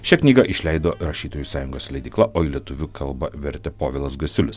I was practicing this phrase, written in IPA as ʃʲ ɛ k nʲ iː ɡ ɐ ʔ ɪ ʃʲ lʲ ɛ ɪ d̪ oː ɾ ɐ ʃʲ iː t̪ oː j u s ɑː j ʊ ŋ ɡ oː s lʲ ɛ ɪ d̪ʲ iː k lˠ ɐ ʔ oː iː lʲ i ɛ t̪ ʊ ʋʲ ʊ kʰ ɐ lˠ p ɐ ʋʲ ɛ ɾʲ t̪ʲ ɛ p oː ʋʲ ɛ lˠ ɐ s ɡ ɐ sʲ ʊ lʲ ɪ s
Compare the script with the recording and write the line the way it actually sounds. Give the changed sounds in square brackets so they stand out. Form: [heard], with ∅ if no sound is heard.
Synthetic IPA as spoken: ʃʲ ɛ k nʲ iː ɡ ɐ ʔ ɪ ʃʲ lʲ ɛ ɪ d̪ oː ɾ ɐ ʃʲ iː t̪ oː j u s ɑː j ʊ ŋ ɡ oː s lʲ ɛ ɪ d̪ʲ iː k lˠ ɐ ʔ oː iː lʲ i ɛ t̪ ʊ ʋʲ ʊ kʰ ɐ lˠ [b] ɐ ʋʲ ɛ ɾʲ t̪ʲ ɛ p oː ʋʲ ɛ lˠ ɐ s ɡ ɐ sʲ ʊ lʲ ɪ s